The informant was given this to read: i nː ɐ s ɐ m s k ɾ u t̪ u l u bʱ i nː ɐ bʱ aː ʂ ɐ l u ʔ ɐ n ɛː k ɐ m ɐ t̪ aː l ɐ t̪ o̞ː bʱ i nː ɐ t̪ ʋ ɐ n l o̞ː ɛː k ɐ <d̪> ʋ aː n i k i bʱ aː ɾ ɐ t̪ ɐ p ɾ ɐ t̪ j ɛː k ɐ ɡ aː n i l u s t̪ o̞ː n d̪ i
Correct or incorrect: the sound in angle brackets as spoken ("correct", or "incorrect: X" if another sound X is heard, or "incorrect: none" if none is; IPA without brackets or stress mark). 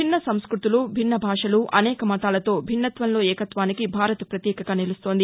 incorrect: t̪